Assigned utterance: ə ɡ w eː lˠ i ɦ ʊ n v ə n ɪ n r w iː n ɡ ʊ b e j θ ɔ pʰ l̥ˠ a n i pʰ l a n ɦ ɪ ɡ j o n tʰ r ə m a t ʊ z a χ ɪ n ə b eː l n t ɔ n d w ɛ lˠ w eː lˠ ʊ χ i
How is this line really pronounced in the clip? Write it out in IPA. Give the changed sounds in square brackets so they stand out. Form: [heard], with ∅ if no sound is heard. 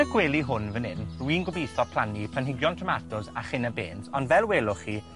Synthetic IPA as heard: ə ɡ w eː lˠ i ɦ ʊ n v ə n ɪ n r w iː n ɡ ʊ b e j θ ɔ pʰ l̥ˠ a n i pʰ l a n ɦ ɪ ɡ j [ɔ] n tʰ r ə m a t ʊ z a χ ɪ n ə b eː [∅] n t ɔ n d [v] ɛ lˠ w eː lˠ ʊ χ i

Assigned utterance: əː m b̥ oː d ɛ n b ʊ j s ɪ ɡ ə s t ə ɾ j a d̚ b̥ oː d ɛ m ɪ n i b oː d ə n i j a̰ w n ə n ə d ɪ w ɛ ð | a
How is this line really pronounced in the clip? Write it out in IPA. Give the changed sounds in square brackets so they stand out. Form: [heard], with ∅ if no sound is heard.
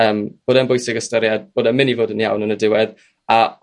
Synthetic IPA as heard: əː m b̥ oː d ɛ n b ʊ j s ɪ ɡ ə s t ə ɾ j a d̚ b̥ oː d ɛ m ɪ n i [v] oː d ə n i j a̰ w n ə n ə d ɪ w ɛ ð | a

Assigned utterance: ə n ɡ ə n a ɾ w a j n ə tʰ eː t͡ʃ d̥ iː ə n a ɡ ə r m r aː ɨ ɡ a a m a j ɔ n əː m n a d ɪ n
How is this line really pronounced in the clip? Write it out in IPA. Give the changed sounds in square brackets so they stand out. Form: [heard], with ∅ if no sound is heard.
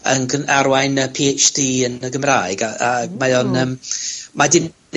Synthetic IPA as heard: ə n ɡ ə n a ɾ w a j n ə [pʰ] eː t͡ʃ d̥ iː ə n [ə] ɡ ə [∅] m r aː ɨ ɡ a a m a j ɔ n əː m [m] a d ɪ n

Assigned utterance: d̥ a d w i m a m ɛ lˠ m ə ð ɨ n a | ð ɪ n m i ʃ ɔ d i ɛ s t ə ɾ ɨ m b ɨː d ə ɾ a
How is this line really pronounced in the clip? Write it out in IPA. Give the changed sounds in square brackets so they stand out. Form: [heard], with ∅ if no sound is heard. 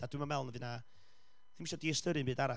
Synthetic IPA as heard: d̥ a d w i m a m ɛ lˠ [n] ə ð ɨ n a | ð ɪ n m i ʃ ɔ d i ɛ s t ə ɾ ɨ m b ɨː d [a] ɾ a

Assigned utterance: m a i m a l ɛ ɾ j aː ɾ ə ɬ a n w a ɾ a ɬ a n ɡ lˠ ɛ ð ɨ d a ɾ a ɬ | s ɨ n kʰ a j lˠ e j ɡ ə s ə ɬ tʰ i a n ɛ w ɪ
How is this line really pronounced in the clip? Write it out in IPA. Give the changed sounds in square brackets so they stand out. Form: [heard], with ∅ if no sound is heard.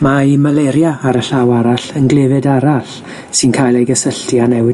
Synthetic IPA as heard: m a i m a l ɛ ɾ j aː ɾ ə ɬ a [∅] w a ɾ a ɬ [ə] n ɡ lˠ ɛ [v] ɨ d a ɾ a ɬ | s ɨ n kʰ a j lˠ e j ɡ ə s ə ɬ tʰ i a n ɛ w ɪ

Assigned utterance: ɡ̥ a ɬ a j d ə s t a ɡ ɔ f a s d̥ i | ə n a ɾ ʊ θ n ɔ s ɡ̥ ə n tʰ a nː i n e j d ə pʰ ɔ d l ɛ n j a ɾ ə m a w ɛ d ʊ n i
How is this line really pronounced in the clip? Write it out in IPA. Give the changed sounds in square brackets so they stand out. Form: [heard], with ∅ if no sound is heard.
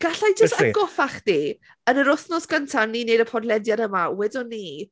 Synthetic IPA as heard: ɡ̥ a ɬ a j [d͡ʒ] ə s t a ɡ ɔ f a [χ] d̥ i | ə n [ə] ɾ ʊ θ n ɔ s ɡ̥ ə n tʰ a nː i n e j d ə pʰ ɔ d l ɛ [d] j a ɾ ə m a w ɛ d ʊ n i

